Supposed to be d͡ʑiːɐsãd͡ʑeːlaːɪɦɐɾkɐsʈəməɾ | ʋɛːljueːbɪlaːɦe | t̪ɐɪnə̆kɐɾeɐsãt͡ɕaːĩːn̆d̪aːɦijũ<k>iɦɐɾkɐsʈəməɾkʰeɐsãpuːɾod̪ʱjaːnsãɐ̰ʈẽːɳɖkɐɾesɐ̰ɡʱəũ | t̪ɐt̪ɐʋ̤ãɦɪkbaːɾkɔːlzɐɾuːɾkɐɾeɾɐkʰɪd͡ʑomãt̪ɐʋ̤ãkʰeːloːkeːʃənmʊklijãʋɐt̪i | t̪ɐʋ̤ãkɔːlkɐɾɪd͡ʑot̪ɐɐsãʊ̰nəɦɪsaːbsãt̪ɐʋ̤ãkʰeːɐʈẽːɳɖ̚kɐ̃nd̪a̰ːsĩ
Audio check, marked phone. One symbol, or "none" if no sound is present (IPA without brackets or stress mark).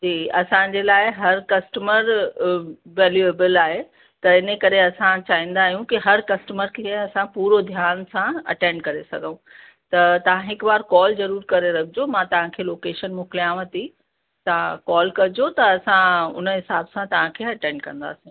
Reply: k